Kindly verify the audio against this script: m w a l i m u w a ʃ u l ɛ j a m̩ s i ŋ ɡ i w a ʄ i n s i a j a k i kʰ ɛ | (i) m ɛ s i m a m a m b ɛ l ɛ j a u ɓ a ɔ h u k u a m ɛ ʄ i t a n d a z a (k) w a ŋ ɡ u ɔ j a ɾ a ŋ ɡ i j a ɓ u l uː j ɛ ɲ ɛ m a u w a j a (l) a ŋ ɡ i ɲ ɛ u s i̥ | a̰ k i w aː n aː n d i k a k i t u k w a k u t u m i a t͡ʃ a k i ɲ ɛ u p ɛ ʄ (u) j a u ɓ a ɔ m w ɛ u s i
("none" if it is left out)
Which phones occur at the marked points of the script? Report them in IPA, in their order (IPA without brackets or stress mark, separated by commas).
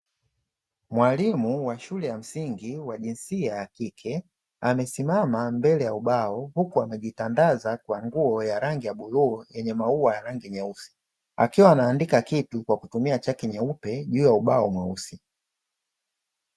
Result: a, k, ɾ, uː